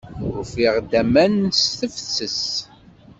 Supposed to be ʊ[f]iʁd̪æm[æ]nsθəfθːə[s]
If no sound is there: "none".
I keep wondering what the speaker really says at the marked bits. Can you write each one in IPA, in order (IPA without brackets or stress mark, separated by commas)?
f, æ, s